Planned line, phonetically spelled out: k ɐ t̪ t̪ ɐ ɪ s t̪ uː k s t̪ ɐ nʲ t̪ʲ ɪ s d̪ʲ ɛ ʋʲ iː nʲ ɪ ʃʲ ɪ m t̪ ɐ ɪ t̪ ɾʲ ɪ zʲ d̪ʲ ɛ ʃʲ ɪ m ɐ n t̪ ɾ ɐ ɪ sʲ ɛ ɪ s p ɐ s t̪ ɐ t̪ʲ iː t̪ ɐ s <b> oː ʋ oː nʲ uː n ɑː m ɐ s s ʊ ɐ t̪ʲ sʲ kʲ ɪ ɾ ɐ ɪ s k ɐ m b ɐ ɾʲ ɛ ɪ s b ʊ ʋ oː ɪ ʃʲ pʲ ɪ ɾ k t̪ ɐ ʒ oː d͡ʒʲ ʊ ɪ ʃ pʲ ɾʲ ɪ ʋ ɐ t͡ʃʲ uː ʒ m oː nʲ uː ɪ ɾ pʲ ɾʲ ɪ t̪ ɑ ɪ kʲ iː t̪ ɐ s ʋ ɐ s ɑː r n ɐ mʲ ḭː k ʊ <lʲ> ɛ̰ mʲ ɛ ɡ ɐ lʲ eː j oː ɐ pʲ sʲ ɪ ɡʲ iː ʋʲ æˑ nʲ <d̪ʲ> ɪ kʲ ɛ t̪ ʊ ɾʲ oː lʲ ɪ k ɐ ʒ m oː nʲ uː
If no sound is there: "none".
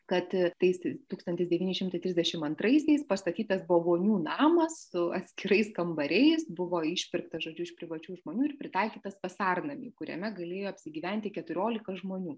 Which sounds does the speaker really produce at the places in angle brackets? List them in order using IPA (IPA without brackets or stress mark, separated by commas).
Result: b, ɾʲ, t̪ʲ